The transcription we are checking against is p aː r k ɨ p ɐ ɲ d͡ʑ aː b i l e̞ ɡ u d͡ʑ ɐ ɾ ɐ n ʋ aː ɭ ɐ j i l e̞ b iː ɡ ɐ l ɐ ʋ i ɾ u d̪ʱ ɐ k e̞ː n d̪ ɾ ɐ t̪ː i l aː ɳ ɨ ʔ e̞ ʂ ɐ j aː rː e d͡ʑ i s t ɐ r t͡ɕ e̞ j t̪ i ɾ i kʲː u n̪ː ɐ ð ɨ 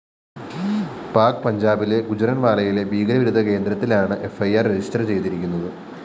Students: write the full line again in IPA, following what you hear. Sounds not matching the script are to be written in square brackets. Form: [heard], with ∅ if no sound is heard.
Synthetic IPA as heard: p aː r k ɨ p ɐ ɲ d͡ʑ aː b i l e̞ ɡ u d͡ʑ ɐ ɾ ɐ n ʋ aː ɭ ɐ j i l e̞ b iː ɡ ɐ l ɐ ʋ i ɾ u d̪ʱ ɐ k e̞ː n d̪ ɾ ɐ t̪ː i l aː ɳ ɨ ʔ e̞ [f] ɐ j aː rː e d͡ʑ i s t ɐ r t͡ɕ e̞ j t̪ i ɾ i kʲː u n̪ː ɐ ð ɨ